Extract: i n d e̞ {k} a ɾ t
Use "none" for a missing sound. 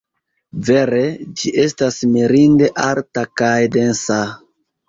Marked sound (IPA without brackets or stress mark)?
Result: ʔ